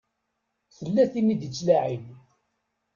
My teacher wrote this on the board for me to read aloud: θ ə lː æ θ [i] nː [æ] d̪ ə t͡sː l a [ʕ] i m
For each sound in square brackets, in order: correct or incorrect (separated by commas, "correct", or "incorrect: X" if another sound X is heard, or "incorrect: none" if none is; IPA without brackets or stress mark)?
correct, incorrect: i, correct